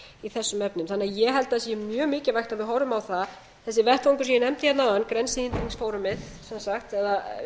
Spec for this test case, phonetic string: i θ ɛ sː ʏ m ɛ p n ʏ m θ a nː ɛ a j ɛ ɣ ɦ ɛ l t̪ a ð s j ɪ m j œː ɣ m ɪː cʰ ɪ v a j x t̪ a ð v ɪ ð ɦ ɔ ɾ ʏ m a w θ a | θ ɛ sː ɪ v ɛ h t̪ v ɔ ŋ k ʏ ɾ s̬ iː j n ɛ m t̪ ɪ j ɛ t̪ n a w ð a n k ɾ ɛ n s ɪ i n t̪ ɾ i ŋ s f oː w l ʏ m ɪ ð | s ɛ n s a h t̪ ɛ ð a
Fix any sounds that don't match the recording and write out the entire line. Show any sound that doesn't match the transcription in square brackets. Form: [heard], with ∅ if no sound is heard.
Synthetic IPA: i θ ɛ sː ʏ m ɛ p n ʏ m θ a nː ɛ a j ɛ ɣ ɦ ɛ l t̪ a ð s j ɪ m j œː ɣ m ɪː [c] ɪ v a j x t̪ a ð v ɪ ð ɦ ɔ ɾ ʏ m a w θ a | θ ɛ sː ɪ v ɛ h t̪ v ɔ ŋ k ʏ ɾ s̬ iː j n ɛ m t̪ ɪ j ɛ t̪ n a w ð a n k ɾ ɛ n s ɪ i n t̪ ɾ i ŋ s f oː w [ɾ] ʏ m ɪ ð | s ɛ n s a [x] t̪ ɛ ð a